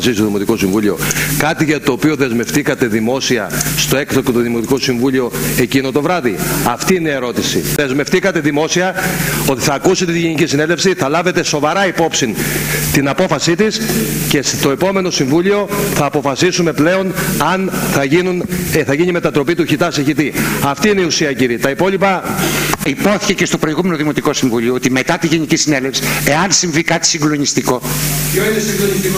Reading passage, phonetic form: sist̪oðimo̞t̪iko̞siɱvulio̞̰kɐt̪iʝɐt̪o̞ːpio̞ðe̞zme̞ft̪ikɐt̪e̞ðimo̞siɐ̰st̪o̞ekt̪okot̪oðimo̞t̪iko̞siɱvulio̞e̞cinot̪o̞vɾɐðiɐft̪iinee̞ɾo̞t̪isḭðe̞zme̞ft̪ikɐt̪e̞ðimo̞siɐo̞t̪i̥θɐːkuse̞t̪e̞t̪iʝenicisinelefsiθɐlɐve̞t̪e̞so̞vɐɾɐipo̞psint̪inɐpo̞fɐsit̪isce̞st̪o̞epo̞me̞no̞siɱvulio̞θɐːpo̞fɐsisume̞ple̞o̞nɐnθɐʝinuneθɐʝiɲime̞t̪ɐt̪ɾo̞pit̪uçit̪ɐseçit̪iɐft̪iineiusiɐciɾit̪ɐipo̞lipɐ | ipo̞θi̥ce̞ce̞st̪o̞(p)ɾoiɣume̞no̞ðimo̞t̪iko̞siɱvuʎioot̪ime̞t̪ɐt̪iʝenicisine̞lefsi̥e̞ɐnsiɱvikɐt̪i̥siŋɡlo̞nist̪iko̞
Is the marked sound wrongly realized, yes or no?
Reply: no